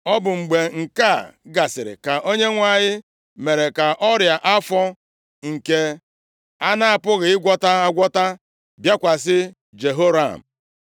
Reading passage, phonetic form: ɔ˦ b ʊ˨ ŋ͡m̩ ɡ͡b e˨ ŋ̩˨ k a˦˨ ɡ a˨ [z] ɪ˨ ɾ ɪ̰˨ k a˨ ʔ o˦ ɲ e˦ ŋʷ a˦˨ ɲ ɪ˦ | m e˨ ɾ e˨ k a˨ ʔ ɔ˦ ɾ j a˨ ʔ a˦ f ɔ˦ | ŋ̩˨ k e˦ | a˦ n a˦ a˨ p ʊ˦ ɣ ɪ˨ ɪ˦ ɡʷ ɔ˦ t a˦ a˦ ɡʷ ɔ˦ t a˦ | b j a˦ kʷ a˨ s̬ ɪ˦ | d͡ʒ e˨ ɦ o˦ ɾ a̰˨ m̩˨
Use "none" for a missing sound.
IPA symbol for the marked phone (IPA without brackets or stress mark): s